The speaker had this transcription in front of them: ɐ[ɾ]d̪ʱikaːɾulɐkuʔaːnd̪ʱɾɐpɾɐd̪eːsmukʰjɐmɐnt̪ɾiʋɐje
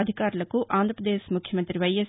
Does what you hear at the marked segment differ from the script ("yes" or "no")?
yes